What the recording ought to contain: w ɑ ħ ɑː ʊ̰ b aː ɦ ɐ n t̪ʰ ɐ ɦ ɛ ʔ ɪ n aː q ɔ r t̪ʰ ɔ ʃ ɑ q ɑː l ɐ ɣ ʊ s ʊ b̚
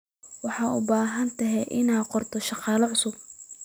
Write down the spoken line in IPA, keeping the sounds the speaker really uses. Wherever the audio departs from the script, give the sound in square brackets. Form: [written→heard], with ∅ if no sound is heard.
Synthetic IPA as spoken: w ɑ ħ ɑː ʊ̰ b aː ɦ ɐ n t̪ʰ ɐ ɦ ɛ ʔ ɪ n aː q ɔ r t̪ʰ ɔ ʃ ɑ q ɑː l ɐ [ɣ→ʕ] ʊ s ʊ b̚

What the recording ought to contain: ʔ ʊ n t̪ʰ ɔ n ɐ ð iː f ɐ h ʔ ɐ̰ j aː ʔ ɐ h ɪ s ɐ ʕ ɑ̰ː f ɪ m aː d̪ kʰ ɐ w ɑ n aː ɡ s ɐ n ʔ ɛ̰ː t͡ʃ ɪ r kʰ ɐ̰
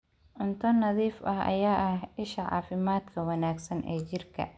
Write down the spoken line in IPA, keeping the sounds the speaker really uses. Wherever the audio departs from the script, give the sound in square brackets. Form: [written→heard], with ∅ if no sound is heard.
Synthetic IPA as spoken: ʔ ʊ n t̪ʰ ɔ n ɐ ð iː f ɐ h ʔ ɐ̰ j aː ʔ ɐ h ɪ [s→ʃ] ɐ ʕ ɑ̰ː f ɪ m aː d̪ kʰ ɐ w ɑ n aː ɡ s ɐ n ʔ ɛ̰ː t͡ʃ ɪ r kʰ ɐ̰

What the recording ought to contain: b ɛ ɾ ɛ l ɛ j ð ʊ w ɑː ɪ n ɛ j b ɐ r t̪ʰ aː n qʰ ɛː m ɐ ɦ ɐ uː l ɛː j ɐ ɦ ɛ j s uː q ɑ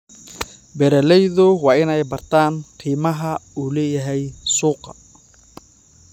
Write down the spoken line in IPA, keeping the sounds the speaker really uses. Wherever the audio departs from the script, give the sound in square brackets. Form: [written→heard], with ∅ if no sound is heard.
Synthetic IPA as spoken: b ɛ ɾ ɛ l ɛ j ð ʊ w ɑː ɪ n ɛ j b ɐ r t̪ʰ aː n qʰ [ɛː→iː] m ɐ ɦ ɐ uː l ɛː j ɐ ɦ ɛ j s uː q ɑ

